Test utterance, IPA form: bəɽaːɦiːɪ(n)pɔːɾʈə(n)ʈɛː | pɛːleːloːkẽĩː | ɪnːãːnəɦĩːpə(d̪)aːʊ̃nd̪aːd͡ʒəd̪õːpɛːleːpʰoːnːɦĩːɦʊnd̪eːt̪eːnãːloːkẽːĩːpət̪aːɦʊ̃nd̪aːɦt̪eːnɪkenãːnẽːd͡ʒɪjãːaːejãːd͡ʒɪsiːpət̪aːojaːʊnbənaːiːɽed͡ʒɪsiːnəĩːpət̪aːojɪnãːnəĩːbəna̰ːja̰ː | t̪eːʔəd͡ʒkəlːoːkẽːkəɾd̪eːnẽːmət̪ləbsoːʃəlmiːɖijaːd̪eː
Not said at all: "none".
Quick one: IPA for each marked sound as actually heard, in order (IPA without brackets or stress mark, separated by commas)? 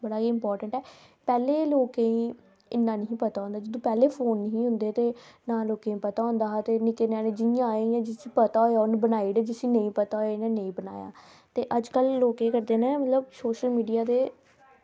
m, ɳ, t̪